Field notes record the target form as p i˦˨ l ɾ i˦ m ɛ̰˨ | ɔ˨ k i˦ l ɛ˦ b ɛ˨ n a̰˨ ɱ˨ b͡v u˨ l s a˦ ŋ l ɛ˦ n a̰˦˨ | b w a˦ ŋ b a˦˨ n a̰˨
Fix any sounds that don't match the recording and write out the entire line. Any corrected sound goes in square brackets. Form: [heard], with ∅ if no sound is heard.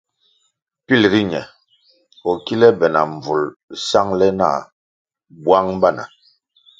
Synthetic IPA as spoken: p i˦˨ l ɾ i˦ [ɲ] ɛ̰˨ | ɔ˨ k i˦ l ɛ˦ b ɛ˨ n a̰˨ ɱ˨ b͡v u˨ l s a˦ ŋ l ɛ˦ n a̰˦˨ | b w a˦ ŋ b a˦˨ n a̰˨